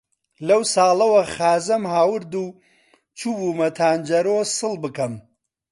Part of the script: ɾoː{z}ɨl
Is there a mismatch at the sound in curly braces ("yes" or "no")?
yes